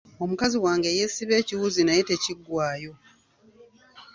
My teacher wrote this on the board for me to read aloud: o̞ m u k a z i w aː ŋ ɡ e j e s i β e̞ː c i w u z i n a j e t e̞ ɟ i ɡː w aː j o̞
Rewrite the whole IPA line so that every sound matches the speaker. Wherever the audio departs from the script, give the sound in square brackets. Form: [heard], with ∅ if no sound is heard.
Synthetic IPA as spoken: o̞ m u k a z i w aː ŋ ɡ e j e s i β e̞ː c i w u z i n a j e t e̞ [c] i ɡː w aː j o̞